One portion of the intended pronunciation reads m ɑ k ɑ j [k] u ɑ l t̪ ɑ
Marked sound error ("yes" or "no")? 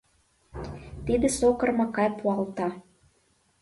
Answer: yes